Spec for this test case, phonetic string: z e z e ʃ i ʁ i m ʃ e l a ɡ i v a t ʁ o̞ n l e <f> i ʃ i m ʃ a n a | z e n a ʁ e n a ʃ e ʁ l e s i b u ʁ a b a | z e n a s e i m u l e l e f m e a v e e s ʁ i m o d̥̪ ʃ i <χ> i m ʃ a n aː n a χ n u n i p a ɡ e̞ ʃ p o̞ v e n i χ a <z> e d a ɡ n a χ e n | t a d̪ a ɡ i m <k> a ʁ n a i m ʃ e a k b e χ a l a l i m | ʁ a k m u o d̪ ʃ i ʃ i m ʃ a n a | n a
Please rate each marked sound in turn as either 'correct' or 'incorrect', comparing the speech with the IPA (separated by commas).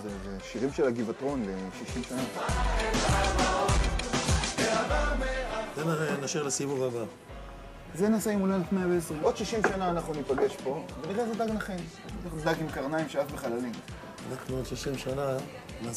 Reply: incorrect, incorrect, correct, correct